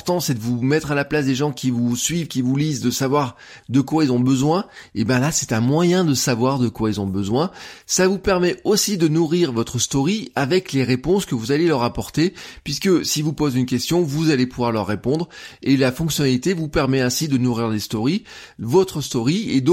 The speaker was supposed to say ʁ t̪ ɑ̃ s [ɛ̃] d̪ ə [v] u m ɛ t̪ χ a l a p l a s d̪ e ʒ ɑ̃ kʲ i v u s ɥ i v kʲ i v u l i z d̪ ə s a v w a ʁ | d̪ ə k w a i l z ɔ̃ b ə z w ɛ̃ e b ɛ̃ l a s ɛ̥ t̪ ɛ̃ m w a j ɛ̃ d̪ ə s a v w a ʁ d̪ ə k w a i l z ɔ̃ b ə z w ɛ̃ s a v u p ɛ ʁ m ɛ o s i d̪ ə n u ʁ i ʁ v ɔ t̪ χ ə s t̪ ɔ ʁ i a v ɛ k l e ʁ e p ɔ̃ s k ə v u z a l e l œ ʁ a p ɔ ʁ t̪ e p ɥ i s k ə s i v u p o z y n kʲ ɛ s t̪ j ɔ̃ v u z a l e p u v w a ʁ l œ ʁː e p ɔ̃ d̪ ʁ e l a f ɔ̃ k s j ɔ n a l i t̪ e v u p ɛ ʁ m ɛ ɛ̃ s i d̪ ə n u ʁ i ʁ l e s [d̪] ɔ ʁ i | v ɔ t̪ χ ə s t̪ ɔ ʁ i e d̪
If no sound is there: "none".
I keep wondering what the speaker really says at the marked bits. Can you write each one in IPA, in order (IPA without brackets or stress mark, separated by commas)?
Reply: ɛ, v, t̪